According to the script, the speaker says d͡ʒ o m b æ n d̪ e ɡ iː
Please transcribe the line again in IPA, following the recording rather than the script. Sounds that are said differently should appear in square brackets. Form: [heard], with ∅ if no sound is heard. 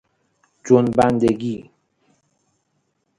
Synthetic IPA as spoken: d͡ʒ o [n] b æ n d̪ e ɡ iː